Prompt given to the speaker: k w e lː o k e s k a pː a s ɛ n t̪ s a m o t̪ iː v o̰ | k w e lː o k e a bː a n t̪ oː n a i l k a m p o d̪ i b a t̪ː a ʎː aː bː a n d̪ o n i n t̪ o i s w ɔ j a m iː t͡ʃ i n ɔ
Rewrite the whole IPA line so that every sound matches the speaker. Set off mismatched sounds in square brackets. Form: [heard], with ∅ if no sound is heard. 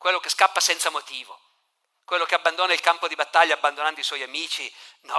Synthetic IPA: k w e lː o k e s k a pː a s ɛ n t̪ s a m o t̪ iː v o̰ | k w e lː o k e a bː a n [d̪] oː n a i l k a m p o d̪ i b a t̪ː a ʎː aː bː a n d̪ o n [a] n [d̪] o i s w ɔ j a m iː t͡ʃ i n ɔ